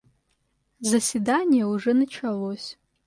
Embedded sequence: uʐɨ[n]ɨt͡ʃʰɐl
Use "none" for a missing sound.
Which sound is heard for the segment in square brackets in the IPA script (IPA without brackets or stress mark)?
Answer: n